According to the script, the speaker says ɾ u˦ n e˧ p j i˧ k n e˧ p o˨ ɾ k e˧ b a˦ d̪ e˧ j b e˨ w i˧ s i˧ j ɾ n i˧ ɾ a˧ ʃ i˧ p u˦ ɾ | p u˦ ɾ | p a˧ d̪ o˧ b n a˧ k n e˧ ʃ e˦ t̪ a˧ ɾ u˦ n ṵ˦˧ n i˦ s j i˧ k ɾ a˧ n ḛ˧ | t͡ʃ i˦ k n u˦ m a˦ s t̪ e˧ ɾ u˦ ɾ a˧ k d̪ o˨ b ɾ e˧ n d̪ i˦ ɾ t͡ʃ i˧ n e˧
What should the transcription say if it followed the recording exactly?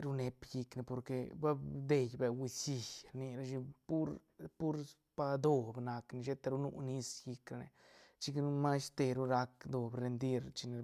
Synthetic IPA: ɾ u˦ n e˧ p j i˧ k n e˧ p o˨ ɾ k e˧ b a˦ d̪ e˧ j b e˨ w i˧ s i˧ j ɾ n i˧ ɾ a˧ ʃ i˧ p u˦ ɾ | p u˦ ɾ | p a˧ d̪ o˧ b n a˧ k n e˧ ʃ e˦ t̪ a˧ ɾ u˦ n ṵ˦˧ n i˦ s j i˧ k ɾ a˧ n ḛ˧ | t͡ʃ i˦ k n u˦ m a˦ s t̪ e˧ ɾ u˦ ɾ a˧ k d̪ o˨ b ɾ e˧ n d̪ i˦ ɾ t͡ʃ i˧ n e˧

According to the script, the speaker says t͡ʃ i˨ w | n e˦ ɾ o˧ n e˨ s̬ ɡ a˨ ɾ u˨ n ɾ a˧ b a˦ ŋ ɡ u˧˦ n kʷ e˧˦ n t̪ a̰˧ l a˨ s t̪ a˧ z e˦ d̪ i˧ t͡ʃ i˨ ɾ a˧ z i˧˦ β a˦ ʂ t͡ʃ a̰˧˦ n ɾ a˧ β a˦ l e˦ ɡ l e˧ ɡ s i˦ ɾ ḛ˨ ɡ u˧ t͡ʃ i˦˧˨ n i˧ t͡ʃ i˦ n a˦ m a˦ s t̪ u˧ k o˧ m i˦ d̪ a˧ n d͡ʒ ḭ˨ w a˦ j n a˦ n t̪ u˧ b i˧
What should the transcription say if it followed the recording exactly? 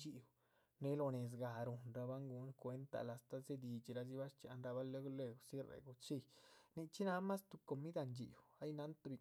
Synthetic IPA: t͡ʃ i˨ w | n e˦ l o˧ n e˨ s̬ ɡ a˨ ɾ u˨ n ɾ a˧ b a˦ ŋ ɡ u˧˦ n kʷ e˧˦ n t̪ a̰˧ l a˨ s t̪ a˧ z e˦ d̪ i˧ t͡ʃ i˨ ɾ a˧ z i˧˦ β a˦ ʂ t͡ʃ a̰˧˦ n ɾ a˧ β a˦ l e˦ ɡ l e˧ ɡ s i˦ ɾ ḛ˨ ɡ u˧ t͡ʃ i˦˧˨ n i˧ t͡ʃ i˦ n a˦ m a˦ s t̪ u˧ k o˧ m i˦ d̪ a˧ n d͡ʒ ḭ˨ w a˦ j n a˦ n t̪ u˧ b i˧

